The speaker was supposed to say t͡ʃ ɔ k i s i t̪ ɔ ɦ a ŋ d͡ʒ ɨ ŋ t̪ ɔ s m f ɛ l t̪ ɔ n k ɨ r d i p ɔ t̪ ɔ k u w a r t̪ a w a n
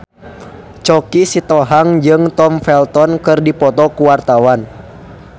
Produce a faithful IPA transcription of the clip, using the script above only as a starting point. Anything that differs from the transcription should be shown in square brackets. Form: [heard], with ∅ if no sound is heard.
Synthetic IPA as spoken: t͡ʃ ɔ k i s i t̪ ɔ ɦ a ŋ d͡ʒ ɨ ŋ t̪ ɔ [∅] m f ɛ l t̪ ɔ n k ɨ r d i p ɔ t̪ ɔ k u w a r t̪ a w a n